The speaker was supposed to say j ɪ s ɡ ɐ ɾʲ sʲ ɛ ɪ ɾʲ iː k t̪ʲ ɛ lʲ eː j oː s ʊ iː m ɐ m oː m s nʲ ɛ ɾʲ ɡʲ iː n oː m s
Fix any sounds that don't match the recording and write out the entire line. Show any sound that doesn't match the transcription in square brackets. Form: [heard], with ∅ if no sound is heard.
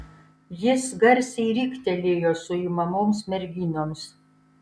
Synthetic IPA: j ɪ s ɡ ɐ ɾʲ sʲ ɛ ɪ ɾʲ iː k t̪ʲ ɛ lʲ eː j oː s ʊ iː m ɐ m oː m s [mʲ] ɛ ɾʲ ɡʲ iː n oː m s